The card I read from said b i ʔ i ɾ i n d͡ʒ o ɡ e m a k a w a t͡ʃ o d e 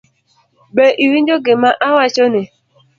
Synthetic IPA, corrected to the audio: b e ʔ i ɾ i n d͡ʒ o ɡ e m a ʔ a w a t͡ʃ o n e